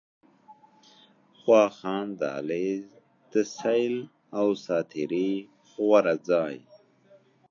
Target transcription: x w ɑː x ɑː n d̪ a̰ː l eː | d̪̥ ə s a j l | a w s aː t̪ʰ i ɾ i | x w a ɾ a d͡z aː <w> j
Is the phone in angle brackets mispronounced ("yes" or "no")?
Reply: yes